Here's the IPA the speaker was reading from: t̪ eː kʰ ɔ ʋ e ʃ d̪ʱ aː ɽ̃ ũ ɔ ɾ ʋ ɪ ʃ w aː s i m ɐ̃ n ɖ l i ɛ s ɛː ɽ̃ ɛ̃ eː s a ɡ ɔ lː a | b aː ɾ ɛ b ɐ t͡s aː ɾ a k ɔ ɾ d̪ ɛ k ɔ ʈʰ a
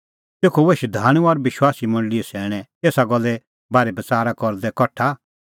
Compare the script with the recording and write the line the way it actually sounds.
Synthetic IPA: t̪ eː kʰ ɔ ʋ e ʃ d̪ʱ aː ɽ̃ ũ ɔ ɾ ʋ ɪ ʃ w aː s i m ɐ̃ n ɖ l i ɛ s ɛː ɽ̃ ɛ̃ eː s a ɡ ɔ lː ɛ | b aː ɾ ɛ b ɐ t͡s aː ɾ a k ɔ ɾ d̪ ɛ k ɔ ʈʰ a

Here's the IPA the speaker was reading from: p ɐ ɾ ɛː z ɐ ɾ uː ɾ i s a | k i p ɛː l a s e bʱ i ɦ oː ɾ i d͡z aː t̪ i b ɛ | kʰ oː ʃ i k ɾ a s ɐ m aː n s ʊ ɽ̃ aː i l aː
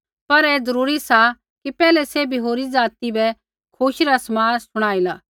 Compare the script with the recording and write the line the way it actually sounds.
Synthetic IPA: p ɐ ɾ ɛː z ɐ ɾ uː ɾ i s a | k i p ɛː l ɛ s e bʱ i ɦ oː ɾ i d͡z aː t̪ i b ɛ | kʰ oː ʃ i ɾ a s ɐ m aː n s ʊ ɽ̃ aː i l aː

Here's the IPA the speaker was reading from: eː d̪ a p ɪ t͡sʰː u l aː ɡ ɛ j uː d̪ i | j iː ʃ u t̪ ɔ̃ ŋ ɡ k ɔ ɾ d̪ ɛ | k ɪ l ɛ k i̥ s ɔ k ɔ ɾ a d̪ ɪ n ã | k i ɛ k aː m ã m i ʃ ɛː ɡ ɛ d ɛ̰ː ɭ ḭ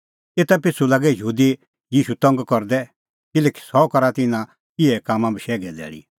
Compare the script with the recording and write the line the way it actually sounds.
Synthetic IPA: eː t̪ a p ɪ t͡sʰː u l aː ɡ ɛ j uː d̪ i | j iː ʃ u t̪ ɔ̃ ŋ ɡ k ɔ ɾ d̪ ɛ | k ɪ l ɛ k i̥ s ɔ k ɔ ɾ a t̪ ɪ n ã | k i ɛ k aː m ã b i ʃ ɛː ɡ ɛ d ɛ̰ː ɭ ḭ

